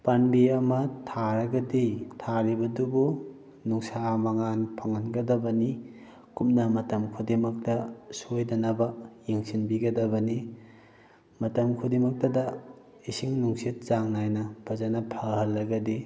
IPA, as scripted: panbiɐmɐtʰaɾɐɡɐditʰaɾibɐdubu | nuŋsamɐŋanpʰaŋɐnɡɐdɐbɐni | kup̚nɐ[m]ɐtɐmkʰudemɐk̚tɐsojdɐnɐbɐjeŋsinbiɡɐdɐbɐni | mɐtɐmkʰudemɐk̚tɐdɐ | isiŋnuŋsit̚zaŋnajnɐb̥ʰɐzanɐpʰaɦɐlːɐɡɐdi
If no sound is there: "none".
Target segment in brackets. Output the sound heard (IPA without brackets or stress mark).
m